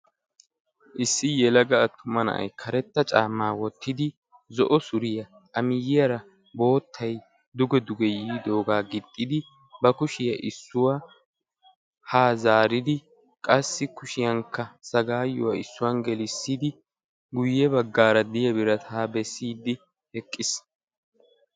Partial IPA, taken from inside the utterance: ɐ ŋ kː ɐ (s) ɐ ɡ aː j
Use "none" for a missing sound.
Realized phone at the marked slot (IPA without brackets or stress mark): s